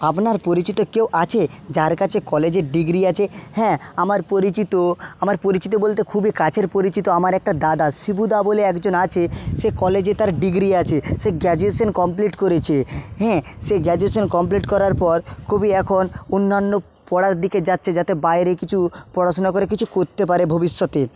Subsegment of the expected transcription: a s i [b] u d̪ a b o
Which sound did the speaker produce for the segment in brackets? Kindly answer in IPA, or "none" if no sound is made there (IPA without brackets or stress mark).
b